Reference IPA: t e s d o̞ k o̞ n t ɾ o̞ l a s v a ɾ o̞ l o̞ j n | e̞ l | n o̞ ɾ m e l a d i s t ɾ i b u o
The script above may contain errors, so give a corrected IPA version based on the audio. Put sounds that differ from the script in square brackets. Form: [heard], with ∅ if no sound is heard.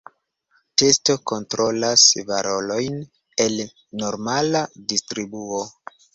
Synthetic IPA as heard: t e s [t] o̞ k o̞ n t ɾ o̞ l a s v a ɾ o̞ l o̞ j n | e̞ l | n o̞ ɾ m [a] l a d i s t ɾ i b u o